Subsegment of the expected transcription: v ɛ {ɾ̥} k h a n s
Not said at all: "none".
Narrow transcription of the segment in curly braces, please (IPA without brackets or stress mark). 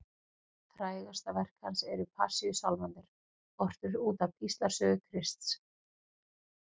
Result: r̥